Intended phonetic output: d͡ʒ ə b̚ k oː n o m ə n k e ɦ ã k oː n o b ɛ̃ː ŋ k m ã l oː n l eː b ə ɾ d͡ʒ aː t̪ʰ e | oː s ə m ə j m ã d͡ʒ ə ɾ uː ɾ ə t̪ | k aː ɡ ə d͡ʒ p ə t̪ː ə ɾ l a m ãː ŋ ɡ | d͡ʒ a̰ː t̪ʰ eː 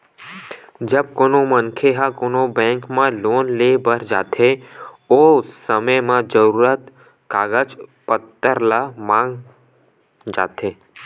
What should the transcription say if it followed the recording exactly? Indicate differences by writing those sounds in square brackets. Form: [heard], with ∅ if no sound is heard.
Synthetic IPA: d͡ʒ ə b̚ k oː n o m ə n [kʰ] e ɦ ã k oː n o b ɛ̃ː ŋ k m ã l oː n l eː b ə ɾ d͡ʒ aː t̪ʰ e | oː s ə m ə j m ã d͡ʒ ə ɾ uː ɾ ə t̪ | k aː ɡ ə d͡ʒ p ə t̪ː ə ɾ l a m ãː ŋ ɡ | d͡ʒ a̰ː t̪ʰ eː